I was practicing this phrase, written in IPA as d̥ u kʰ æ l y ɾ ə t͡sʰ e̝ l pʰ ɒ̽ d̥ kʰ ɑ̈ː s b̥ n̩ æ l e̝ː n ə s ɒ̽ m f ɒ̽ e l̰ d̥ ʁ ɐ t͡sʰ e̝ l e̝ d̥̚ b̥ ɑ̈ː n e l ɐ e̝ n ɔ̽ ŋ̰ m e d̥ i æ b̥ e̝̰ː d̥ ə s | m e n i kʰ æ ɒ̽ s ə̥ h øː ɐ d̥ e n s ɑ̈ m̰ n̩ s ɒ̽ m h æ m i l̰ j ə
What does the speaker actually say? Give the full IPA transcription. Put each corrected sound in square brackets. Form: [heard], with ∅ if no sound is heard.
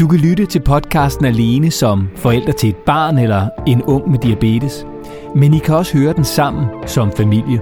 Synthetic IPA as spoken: d̥ u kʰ æ l y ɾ ə t͡sʰ e̝ l pʰ ɒ̽ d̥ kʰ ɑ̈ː s [d̥] n̩ æ l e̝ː n ə s ɒ̽ m f ɒ̽ e l̰ d̥ ʁ ɐ t͡sʰ e̝ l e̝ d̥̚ b̥ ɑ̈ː n e l ɐ e̝ n ɔ̽ ŋ̰ m e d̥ i æ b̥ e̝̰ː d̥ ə s | m e n i kʰ æ ɒ̽ s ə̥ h øː ɐ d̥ e n s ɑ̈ m̰ n̩ s ɒ̽ m [f] æ m i l̰ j ə